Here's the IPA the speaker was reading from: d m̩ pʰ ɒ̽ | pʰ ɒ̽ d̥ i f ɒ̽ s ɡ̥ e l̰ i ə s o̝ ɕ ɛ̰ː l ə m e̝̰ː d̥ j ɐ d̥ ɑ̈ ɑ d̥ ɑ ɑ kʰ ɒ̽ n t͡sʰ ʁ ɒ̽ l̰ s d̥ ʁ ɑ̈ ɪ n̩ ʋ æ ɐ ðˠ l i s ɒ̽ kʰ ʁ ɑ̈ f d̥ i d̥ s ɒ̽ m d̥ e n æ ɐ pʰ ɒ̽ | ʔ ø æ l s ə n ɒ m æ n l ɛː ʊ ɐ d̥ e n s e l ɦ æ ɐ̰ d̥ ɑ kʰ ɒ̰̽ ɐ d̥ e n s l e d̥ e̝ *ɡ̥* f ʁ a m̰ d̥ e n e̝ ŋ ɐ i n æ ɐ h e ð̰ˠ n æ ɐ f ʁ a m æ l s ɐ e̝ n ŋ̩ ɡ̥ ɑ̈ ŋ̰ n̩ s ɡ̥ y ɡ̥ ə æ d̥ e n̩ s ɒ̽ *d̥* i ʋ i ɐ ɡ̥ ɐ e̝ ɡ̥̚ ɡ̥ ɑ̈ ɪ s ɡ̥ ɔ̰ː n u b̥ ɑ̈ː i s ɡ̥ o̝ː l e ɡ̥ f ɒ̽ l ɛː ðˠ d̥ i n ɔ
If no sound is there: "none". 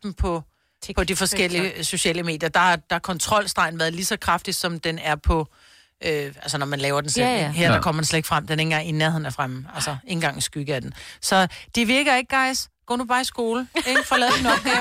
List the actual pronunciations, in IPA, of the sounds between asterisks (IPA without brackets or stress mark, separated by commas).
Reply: ɡ̥, d̥